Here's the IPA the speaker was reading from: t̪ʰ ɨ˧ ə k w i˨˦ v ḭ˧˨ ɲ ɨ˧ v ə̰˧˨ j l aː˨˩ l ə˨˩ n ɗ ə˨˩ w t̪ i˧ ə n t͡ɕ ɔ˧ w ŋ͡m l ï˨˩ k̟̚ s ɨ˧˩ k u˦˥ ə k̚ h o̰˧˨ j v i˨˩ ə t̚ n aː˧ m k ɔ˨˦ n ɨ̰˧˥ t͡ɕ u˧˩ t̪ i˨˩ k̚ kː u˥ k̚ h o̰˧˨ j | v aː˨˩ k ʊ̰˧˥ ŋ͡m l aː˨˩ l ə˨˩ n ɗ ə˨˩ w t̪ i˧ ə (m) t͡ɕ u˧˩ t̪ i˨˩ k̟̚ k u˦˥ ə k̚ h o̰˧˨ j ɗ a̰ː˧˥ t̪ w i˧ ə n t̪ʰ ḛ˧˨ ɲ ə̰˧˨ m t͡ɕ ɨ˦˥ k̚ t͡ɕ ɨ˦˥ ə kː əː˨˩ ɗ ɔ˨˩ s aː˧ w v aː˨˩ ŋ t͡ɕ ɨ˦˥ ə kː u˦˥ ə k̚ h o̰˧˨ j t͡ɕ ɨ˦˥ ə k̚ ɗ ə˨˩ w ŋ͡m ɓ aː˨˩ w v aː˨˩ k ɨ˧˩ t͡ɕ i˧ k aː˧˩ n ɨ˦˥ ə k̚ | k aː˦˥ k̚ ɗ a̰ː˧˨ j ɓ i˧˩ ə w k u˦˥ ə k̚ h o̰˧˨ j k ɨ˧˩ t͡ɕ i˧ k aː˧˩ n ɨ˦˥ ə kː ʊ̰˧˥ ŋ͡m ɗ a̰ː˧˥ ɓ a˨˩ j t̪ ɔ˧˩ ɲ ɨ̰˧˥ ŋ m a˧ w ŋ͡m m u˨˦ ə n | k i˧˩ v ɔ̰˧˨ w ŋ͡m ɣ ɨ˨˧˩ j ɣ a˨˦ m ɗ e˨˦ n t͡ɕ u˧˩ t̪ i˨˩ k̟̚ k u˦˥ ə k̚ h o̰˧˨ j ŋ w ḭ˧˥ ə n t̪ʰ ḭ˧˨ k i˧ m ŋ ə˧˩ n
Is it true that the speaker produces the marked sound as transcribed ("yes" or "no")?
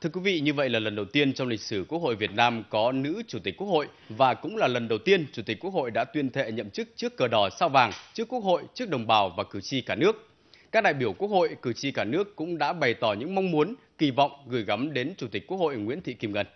no